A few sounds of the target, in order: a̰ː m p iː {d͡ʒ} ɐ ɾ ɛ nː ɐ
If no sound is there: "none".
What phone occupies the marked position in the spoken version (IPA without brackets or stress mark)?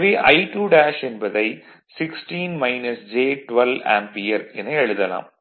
none